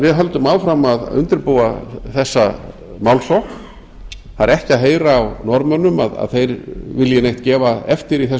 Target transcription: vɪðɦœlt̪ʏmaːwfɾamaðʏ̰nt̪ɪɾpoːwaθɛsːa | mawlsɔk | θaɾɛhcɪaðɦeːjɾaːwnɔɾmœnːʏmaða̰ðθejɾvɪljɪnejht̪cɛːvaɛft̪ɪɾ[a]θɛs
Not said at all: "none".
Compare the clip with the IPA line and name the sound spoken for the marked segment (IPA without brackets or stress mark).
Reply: i